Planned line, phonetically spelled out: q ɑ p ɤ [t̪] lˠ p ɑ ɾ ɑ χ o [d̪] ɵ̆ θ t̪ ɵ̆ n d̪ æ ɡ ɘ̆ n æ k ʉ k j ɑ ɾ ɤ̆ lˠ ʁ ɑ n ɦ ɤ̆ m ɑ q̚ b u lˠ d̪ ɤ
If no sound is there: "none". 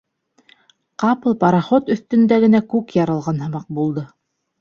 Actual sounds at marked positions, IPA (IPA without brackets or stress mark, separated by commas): none, t̪